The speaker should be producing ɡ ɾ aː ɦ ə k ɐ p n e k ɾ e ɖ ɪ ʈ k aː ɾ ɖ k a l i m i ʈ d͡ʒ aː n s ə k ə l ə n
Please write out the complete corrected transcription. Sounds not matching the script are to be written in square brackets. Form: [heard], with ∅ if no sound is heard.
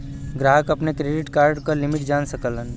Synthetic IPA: ɡ ɾ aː ɦ ə k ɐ p n e k ɾ e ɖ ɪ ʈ k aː ɾ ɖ k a l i m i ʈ d͡ʒ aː n s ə k ə l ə n